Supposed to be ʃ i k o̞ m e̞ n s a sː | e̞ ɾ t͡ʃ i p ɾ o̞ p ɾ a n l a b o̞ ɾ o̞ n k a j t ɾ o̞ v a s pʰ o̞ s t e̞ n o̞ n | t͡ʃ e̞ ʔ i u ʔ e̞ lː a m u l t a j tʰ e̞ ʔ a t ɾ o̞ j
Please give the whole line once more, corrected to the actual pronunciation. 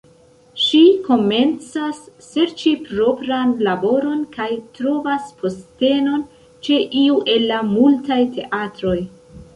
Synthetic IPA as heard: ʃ i k o̞ m e̞ n t͡s a sː | e̞ ɾ t͡ʃ i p ɾ o̞ p ɾ a n l a b o̞ ɾ o̞ n k a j t ɾ o̞ v a s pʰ o̞ s t e̞ n o̞ n | t͡ʃ e̞ ʔ i u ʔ e̞ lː a m u l t a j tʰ e̞ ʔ a t ɾ o̞ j